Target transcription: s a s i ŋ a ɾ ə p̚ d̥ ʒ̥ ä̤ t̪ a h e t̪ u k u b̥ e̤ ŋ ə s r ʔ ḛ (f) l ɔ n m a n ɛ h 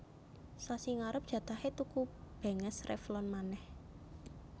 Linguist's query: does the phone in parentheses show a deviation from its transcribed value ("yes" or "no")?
no